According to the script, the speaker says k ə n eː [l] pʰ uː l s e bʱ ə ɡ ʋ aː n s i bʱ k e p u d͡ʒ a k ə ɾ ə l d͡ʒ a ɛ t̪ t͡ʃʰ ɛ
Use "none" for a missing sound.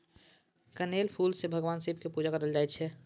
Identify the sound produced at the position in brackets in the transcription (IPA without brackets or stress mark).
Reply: l